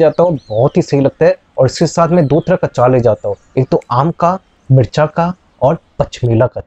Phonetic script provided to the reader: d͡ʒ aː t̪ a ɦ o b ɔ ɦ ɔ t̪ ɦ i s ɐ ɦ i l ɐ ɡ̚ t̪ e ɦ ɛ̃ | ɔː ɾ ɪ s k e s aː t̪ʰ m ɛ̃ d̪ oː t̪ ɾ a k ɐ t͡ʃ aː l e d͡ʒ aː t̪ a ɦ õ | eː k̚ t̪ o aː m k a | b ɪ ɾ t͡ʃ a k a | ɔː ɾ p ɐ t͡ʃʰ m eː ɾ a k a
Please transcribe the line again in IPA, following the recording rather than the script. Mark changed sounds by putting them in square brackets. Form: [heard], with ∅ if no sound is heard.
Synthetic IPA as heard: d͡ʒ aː t̪ a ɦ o b ɔ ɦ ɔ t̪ ɦ i s ɐ ɦ i l ɐ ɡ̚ t̪ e ɦ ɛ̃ | ɔː ɾ ɪ s k e s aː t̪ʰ m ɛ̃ d̪ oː t̪ ɾ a k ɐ t͡ʃ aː l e d͡ʒ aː t̪ a ɦ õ | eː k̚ t̪ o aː m k a | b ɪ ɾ t͡ʃ a k a | ɔː ɾ p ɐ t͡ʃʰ m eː [l] a k a